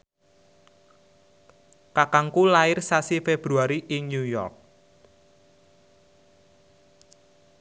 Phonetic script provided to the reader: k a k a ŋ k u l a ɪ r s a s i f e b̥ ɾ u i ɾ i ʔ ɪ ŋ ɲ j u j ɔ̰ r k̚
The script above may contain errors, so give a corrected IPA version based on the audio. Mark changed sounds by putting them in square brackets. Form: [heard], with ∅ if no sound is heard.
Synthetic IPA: k a k a ŋ k u l a ɪ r s a s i f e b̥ ɾ u [a] ɾ i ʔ ɪ ŋ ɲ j u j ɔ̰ r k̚